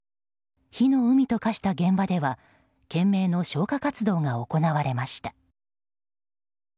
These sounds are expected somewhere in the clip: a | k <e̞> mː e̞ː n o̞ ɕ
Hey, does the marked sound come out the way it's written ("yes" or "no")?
no